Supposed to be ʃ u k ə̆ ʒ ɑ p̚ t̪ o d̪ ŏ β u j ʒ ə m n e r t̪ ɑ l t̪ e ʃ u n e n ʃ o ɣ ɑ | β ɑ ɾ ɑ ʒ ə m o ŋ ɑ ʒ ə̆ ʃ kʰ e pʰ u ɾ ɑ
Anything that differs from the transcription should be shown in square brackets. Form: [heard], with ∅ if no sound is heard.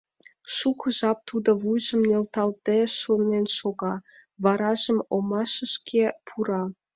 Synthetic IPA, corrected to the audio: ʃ u k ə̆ ʒ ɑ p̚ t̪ [u] d̪ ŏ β u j ʒ ə m n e [l] t̪ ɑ l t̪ e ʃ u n e n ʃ o ɣ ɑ | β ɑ ɾ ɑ ʒ ə m o [m] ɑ [ʃ] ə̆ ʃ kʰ e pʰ u ɾ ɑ

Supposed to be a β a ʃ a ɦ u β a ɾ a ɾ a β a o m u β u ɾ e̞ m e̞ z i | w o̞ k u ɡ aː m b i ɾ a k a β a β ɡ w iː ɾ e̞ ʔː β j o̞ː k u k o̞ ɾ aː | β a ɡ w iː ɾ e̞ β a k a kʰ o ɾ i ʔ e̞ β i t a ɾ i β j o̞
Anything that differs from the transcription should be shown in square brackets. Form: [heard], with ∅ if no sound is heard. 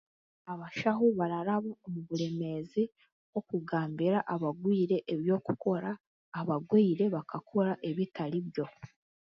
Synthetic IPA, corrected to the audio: a β a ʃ a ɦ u β a ɾ a ɾ a β a o m u β u ɾ e̞ m e̞ z i | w o̞ k u ɡ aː m b i ɾ a [ʔ] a β a [∅] ɡ w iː ɾ e̞ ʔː β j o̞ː k u k o̞ ɾ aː | β a ɡ w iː ɾ e̞ β a k a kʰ o ɾ [a] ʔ e̞ β i t a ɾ i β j o̞

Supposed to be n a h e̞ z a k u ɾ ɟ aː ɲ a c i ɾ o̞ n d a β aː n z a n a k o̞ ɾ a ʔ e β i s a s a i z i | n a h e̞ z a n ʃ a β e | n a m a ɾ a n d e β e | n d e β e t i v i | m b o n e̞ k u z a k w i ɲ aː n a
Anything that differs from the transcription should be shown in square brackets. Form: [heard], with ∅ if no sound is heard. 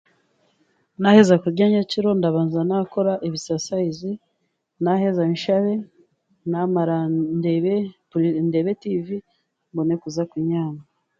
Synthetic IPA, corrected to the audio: n a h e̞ z a k u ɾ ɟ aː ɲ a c i ɾ o̞ n d a β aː n z a n a k o̞ ɾ a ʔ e β i s a s a i z i | n a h e̞ z a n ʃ a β e | n a m a ɾ a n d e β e | n d e β e t i v i | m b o n e̞ k u z a k w i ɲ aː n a

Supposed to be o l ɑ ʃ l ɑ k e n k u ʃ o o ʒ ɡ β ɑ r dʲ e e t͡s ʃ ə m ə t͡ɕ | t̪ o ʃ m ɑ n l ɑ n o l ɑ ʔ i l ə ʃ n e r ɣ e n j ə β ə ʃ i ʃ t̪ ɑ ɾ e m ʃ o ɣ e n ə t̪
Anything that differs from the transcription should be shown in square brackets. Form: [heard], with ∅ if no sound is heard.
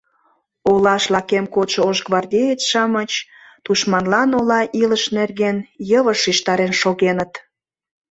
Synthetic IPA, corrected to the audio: o l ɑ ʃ l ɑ k e [m] k [o] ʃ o o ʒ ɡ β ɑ r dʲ e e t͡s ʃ [ɑ] m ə t͡ɕ | t̪ [u] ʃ m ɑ n l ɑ n o l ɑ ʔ i l ə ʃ n e r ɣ e n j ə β ə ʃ i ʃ t̪ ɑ ɾ e [n] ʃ o ɣ e n ə t̪

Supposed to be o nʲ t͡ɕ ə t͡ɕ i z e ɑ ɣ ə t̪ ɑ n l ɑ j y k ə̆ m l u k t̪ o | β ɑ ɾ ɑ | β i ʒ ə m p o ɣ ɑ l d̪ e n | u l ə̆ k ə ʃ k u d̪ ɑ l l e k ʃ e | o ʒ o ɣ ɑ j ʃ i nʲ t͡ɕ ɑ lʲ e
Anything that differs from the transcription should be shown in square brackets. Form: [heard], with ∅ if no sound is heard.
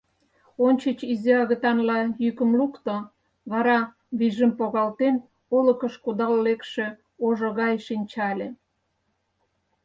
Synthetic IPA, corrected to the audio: o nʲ t͡ɕ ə t͡ɕ i z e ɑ ɣ ə t̪ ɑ n l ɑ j y k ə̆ m l u k t̪ o | β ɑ ɾ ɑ | β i ʒ ə m p o ɣ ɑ l [t̪] e n | [o] l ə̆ k ə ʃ k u d̪ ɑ l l e k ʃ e | o ʒ o ɣ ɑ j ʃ i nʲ t͡ɕ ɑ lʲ e

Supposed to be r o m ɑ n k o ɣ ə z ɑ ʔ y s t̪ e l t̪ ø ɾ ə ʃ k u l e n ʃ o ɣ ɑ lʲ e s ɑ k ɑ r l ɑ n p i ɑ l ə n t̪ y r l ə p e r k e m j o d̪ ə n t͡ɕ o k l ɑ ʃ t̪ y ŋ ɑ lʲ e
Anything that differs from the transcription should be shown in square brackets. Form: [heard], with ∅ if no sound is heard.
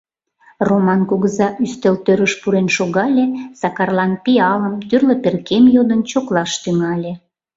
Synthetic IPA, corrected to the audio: r o m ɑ n k o ɣ ə z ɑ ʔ y s t̪ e l t̪ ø ɾ ə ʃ [p] u [ɾ] e n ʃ o ɣ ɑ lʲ e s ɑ k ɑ r l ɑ n p i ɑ l ə [m] t̪ y r l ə p e r k e m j o d̪ ə n t͡ɕ o k l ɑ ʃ t̪ y ŋ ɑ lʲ e

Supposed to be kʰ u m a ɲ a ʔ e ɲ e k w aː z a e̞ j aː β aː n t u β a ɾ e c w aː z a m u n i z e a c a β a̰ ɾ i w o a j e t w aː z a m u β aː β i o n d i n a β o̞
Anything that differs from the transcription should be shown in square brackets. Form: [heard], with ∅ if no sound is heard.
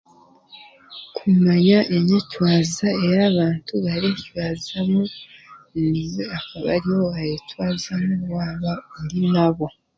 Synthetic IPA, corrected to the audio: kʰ u m a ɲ a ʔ e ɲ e [c] w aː z a e̞ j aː β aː n t u β a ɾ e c w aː z a m u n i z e a [k] a β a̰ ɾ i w o a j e t w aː z a m u [w] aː β [a] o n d i n a β o̞

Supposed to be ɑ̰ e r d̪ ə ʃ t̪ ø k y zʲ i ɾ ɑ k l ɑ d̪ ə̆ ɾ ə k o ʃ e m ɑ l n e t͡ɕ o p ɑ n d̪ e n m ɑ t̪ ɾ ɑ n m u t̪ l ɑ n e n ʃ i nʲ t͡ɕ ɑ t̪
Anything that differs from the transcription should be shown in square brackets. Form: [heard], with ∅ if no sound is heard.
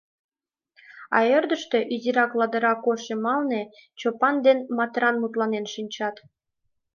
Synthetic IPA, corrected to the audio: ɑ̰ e r d̪ ə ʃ t̪ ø [ʔ] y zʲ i ɾ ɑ k l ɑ d̪ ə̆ ɾ [ɑ] k o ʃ e m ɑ l n e t͡ɕ o p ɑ n d̪ e n m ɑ t̪ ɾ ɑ n m u t̪ l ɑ n e n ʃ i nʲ t͡ɕ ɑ t̪

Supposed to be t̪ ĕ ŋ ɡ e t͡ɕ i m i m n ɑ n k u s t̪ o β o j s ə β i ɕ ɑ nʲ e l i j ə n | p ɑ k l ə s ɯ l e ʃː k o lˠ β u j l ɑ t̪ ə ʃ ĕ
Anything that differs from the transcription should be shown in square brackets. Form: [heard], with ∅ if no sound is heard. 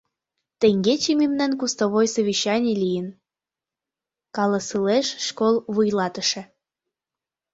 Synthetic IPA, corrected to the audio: t̪ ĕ ŋ ɡ e t͡ɕ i m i m n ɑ n k u s t̪ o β o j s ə β i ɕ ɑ nʲ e l i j ə n | [k] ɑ [∅] l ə s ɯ l e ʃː k o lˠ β u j l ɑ t̪ ə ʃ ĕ

